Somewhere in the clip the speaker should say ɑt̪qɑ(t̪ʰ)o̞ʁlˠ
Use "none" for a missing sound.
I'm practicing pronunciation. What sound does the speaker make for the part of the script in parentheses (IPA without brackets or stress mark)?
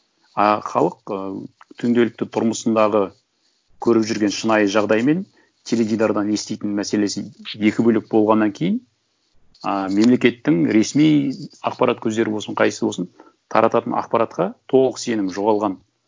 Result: t̪ʰ